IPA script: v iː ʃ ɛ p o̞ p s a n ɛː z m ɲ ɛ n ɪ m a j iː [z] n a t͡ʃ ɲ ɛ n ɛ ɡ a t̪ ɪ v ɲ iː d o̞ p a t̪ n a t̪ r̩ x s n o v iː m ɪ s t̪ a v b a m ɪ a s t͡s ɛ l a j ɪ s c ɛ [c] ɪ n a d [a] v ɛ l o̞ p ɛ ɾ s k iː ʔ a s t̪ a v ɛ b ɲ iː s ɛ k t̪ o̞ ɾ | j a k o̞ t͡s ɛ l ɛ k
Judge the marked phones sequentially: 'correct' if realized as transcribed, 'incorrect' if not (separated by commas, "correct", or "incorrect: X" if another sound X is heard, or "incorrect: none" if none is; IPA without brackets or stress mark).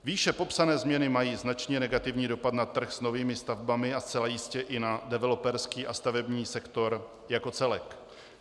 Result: correct, incorrect: ʔ, incorrect: ɛ